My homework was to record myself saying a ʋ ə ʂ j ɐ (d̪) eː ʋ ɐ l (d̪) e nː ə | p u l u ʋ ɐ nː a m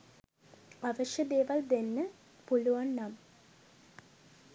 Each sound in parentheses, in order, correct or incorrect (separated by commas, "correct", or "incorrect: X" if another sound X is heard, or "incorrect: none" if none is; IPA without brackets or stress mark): correct, correct